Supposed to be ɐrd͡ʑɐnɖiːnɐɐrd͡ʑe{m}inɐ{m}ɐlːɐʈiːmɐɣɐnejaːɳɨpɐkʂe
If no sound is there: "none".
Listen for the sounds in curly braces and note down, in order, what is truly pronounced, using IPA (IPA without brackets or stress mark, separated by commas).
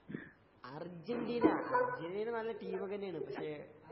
n, n